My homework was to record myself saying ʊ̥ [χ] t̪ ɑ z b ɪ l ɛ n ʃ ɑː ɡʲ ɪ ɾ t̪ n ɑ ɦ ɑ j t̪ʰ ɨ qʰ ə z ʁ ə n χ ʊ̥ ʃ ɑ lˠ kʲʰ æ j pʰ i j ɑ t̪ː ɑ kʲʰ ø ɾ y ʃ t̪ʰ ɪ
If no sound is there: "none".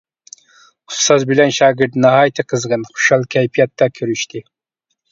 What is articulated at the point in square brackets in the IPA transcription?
s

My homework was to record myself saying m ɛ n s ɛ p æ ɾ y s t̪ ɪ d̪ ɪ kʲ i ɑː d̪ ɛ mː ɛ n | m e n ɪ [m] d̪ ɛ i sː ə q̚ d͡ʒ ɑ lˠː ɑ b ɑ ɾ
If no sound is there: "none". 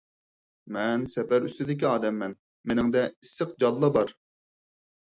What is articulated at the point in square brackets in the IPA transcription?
ŋ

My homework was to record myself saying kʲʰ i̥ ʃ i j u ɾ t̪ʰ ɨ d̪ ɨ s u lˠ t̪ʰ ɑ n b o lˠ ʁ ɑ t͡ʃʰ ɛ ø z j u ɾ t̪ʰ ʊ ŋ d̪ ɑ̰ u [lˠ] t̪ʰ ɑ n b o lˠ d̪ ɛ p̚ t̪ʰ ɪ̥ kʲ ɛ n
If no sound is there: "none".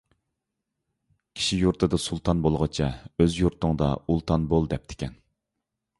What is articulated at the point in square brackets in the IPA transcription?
lˠ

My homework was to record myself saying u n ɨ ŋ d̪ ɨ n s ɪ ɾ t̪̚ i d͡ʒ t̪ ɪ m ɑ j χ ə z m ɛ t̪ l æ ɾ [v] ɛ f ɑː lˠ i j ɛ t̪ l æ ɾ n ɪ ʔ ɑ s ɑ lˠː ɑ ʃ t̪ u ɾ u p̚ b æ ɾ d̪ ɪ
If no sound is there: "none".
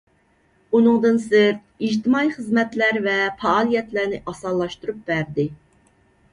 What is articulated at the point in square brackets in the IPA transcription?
v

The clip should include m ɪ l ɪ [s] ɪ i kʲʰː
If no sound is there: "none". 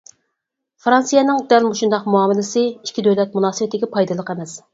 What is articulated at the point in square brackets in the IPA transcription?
s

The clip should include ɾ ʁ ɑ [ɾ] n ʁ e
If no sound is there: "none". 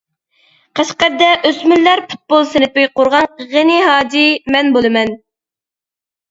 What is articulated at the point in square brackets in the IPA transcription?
none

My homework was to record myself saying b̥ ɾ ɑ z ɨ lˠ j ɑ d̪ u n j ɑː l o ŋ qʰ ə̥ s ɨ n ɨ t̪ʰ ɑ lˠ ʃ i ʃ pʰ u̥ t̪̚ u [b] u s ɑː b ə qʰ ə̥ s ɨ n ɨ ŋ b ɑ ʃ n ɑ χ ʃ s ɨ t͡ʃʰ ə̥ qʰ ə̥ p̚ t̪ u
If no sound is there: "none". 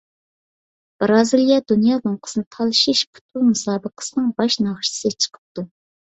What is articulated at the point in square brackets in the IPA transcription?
m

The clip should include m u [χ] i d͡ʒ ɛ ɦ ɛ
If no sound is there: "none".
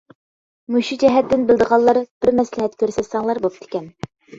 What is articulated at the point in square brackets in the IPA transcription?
ʃ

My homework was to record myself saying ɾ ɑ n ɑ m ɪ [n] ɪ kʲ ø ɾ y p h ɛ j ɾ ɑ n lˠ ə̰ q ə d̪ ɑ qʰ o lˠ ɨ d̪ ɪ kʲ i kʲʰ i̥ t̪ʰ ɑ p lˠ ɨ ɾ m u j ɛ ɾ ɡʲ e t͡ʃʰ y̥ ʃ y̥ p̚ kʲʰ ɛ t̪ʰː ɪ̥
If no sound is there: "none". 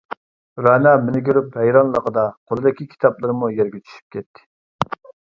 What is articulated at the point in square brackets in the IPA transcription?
n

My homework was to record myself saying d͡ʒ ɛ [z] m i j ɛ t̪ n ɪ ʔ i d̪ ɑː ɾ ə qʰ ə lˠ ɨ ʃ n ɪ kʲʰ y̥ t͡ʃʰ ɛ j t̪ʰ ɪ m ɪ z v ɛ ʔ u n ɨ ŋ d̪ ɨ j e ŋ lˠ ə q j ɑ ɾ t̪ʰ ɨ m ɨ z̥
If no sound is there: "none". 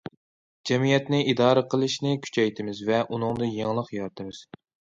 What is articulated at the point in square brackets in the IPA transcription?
none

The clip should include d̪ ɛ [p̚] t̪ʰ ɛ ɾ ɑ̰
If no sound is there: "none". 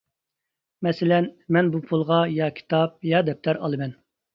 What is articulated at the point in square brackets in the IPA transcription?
p̚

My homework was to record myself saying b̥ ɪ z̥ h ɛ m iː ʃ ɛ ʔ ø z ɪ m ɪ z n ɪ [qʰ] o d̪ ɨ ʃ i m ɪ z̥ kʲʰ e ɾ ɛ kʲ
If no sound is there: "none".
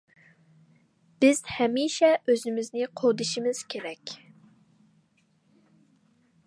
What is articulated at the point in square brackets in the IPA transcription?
qʰ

